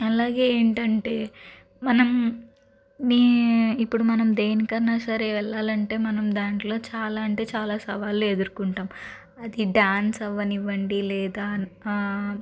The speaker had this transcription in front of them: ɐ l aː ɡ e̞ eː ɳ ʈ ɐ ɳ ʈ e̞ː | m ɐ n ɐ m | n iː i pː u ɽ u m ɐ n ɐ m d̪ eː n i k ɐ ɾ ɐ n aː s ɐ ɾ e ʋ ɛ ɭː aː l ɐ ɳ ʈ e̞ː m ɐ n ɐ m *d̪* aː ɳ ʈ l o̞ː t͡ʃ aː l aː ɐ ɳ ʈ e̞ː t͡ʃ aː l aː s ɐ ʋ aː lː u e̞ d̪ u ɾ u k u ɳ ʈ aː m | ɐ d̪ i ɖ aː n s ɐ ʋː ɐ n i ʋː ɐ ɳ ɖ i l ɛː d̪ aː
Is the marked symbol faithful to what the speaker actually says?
yes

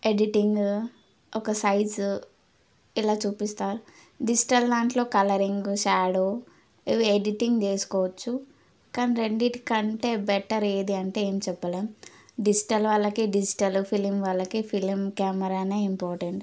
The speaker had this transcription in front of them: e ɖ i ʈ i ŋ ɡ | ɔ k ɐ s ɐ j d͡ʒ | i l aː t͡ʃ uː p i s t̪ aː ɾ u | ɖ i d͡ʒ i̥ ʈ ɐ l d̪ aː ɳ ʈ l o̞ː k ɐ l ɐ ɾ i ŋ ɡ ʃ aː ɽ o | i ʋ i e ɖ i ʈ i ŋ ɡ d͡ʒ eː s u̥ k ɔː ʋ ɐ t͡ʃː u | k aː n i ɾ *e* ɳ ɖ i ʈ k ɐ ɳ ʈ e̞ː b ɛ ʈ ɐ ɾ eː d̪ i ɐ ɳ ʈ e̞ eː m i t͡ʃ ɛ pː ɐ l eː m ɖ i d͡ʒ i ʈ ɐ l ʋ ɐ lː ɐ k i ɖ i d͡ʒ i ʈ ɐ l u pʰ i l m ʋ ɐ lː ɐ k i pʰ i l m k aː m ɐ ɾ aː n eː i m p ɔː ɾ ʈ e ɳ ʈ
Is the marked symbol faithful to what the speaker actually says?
yes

